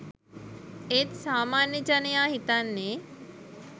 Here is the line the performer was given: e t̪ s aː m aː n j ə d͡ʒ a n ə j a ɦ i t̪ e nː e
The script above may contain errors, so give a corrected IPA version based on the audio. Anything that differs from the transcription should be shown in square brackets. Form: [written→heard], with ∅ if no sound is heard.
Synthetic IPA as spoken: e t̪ s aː m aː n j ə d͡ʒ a n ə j a ɦ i t̪ [e→a] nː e